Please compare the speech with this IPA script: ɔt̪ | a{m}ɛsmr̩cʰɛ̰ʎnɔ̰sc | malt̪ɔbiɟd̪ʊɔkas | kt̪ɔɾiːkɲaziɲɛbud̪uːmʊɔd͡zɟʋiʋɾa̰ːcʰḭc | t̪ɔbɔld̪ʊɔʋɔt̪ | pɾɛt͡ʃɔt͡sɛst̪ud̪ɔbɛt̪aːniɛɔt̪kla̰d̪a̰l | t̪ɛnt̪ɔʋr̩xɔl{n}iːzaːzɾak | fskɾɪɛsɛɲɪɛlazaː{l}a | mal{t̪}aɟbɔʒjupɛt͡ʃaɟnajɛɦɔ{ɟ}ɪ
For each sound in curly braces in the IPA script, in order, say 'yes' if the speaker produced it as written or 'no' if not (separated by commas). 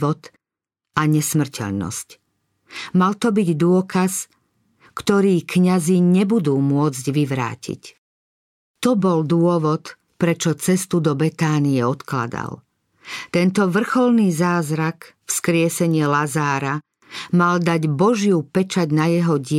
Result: no, yes, no, no, yes